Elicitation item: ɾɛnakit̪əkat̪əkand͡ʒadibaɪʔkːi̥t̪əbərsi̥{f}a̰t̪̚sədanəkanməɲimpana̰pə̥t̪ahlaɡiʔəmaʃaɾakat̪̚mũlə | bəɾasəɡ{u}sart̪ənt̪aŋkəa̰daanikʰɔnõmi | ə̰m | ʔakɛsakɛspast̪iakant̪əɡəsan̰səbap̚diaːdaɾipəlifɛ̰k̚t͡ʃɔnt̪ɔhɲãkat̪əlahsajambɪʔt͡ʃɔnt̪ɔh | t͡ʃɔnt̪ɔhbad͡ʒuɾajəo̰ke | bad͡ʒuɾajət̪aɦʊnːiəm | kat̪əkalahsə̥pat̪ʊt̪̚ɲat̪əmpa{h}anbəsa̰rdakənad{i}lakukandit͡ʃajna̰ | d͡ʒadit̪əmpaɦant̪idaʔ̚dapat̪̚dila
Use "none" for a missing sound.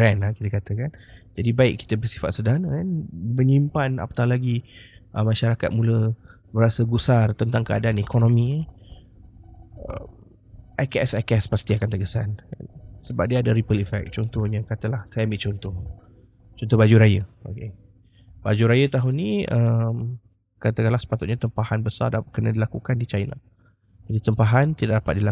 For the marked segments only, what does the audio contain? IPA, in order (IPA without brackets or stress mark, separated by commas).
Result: f, u, h, i